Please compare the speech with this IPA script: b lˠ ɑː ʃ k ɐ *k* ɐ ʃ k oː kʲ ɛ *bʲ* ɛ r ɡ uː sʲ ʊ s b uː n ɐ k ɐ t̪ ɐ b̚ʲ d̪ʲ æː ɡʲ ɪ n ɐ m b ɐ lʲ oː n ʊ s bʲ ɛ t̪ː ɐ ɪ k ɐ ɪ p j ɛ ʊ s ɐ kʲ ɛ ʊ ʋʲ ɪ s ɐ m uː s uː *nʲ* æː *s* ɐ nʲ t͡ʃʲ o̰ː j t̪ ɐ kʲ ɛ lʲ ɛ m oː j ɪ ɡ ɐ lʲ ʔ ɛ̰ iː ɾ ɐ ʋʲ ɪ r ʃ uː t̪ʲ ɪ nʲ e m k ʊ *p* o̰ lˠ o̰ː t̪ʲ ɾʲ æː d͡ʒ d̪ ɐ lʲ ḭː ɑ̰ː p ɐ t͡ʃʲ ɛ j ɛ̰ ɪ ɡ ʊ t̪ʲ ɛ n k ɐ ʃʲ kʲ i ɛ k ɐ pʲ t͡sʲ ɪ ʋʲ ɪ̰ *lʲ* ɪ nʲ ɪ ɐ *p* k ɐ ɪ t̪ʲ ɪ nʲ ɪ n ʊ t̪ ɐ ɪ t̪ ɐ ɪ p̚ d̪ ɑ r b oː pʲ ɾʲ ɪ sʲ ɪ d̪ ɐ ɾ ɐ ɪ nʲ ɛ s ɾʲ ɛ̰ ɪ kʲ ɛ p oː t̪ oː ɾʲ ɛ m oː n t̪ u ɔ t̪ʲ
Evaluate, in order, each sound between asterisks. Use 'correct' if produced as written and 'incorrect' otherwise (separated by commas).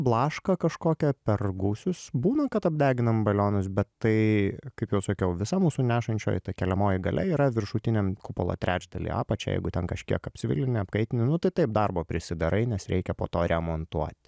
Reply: correct, incorrect, correct, incorrect, correct, correct, correct